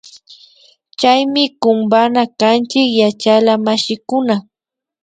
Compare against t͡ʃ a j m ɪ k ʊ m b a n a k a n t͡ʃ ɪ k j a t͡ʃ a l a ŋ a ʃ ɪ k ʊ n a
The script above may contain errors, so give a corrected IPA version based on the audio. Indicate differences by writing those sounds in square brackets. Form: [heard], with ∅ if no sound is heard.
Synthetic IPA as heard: t͡ʃ a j m ɪ k ʊ m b a n a k a n t͡ʃ ɪ k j a t͡ʃ a l a [m] a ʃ ɪ k ʊ n a